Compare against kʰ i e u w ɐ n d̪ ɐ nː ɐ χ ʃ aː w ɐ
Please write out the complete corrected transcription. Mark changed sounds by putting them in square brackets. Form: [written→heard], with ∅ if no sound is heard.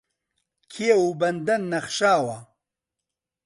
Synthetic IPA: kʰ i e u [w→b] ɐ n d̪ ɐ nː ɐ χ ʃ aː w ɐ

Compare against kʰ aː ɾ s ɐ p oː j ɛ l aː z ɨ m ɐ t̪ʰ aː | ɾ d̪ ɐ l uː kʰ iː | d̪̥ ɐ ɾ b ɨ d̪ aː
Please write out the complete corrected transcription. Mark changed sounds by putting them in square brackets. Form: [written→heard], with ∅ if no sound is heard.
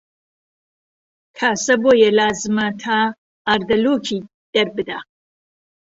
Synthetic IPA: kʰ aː [ɾ→∅] s ɐ [p→b] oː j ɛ l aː z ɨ m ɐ t̪ʰ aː | ɾ d̪ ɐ l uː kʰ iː | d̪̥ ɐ ɾ b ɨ d̪ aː

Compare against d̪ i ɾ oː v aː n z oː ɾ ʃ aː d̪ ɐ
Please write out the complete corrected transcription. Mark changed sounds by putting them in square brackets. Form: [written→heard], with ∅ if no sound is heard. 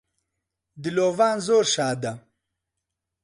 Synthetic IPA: d̪ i [ɾ→l] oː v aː n z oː ɾ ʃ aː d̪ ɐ

